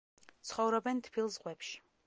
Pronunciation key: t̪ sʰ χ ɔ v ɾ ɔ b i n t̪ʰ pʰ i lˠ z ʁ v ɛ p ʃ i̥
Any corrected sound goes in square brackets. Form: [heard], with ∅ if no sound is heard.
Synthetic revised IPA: t̪ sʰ χ ɔ v ɾ ɔ b [ɛ] n t̪ʰ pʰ i lˠ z ʁ [w] ɛ p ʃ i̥